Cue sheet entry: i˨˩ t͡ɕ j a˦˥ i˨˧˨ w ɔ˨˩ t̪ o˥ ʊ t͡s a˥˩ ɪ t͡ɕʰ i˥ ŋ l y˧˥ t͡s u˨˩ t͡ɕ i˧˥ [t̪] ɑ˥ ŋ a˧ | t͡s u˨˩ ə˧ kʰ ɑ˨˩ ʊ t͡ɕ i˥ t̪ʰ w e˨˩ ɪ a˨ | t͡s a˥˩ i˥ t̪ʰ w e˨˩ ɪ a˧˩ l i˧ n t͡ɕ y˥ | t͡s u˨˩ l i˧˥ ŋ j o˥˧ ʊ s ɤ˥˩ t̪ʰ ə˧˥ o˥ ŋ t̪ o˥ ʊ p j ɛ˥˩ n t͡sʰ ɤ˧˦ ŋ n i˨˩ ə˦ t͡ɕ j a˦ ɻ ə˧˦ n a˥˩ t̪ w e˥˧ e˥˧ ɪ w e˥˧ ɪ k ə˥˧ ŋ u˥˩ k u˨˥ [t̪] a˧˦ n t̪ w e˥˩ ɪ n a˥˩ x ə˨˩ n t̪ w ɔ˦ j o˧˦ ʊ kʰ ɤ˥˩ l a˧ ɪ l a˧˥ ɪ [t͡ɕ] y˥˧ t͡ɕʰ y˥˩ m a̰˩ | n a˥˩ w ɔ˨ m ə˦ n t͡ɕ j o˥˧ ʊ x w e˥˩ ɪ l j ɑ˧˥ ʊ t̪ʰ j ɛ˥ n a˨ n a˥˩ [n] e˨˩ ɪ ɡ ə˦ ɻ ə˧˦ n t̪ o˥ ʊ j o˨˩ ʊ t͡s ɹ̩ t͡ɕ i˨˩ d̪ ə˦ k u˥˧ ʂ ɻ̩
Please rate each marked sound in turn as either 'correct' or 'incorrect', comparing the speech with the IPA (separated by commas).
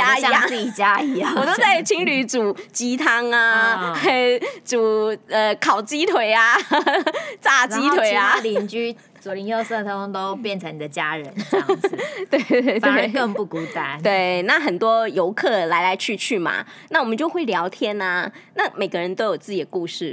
incorrect, correct, incorrect, incorrect